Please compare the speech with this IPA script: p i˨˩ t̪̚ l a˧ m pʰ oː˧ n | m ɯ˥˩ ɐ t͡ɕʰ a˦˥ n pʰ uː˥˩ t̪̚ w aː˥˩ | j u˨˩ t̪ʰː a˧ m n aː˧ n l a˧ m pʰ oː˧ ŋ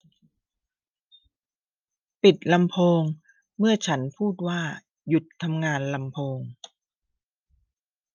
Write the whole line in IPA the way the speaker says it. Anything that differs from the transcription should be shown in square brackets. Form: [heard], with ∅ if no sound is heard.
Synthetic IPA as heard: p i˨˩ t̪̚ l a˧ m pʰ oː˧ [ŋ] | m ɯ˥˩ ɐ t͡ɕʰ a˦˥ n pʰ uː˥˩ t̪̚ w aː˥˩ | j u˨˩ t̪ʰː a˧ m [ŋ] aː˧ n l a˧ m pʰ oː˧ ŋ